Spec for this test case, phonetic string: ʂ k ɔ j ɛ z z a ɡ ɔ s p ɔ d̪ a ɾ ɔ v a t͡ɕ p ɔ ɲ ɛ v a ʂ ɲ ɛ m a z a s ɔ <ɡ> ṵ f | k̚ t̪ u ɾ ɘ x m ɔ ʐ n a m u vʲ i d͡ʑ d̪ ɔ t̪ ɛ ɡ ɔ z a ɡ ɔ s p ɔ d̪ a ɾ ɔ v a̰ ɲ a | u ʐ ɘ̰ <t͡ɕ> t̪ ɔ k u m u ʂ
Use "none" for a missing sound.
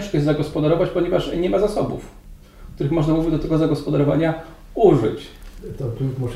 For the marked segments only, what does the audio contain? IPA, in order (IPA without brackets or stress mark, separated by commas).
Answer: b, t͡ɕ